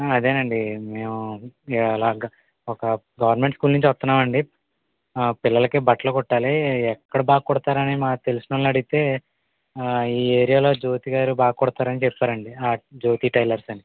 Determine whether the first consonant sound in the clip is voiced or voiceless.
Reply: voiced